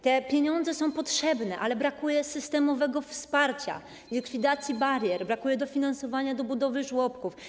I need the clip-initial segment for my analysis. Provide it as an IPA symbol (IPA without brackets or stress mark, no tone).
t̪